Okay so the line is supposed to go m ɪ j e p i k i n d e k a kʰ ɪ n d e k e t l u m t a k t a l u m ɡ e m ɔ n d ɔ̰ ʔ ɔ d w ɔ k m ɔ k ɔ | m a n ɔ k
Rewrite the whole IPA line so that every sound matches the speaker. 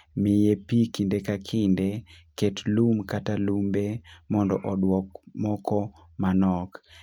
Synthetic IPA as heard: m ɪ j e p i k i n d e k a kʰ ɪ n d e k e t l u m k a t a l u m b e m ɔ n d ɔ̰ ʔ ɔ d w ɔ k m ɔ k ɔ | m a n ɔ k